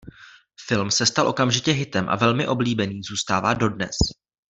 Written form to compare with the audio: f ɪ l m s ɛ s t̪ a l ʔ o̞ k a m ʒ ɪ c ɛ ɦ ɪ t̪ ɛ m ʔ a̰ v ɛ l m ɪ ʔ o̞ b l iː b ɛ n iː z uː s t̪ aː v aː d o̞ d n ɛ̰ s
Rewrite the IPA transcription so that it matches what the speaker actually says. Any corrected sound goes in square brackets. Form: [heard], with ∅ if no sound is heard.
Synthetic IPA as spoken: f ɪ l m s ɛ s t̪ a l ʔ o̞ k a m ʒ ɪ c ɛ ɦ ɪ t̪ ɛ m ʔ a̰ v ɛ l m ɪ ʔ o̞ b l iː b ɛ n iː z uː s t̪ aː v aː d o̞ d n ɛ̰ s